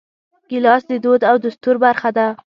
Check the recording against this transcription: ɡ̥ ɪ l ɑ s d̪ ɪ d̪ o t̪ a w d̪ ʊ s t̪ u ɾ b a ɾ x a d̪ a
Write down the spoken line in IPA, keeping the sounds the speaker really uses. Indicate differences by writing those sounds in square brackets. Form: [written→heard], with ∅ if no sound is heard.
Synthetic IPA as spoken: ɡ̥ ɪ l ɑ s d̪ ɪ d̪ o [t̪→d̪] a w d̪ ʊ s t̪ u ɾ b a ɾ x a d̪ a